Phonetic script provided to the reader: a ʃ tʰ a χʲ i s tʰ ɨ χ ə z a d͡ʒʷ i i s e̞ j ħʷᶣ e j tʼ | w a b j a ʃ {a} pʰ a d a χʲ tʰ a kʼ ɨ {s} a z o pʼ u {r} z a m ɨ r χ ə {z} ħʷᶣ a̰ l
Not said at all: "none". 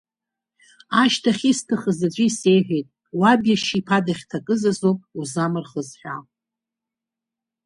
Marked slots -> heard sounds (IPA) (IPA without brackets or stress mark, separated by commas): i, z, none, z